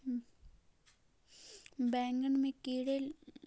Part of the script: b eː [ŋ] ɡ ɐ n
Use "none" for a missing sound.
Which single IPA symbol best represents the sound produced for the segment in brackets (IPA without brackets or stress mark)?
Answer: ŋ